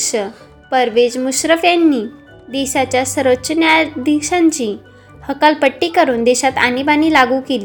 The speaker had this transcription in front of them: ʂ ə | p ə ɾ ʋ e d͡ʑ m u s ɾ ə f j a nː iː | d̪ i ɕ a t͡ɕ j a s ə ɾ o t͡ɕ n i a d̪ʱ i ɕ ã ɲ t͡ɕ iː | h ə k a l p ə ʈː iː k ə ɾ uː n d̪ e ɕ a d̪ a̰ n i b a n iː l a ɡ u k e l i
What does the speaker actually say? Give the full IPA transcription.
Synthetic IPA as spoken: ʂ ə | p ə ɾ ʋ e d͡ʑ m u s ɾ ə f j a nː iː | d̪ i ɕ a t͡ɕ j a s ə ɾ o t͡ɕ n j a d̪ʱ i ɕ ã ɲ t͡ɕ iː | h ə k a l p ə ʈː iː k ə ɾ uː n d̪ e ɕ a t̪ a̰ n i b a n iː l a ɡ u k e l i